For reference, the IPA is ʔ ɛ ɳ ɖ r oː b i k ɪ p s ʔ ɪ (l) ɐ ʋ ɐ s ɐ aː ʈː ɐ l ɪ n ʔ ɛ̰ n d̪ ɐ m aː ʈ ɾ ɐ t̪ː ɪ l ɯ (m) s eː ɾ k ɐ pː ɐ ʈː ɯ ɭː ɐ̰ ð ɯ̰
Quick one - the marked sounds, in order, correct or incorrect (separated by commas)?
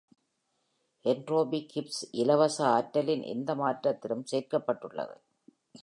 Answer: correct, correct